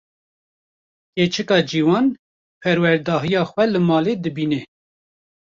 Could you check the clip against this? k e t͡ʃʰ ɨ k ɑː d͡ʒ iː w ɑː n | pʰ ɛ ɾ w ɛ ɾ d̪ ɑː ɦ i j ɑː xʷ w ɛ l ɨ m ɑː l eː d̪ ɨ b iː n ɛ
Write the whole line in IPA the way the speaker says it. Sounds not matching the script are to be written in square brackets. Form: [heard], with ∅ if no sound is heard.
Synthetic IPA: k e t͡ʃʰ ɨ k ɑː d͡ʒ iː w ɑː n | pʰ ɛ ɾ w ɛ ɾ d̪ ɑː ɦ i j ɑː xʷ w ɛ l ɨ m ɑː l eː d̪ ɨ b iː n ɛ